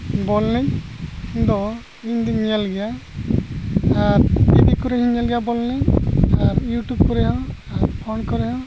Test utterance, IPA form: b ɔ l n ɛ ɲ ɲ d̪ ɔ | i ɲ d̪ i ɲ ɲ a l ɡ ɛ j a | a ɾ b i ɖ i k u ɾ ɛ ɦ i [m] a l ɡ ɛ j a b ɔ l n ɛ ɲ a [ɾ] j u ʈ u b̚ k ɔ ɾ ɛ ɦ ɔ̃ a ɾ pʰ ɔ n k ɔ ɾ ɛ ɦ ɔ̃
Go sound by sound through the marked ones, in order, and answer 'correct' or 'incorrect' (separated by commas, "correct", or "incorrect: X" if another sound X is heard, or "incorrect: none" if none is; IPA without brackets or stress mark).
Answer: incorrect: ɲ, correct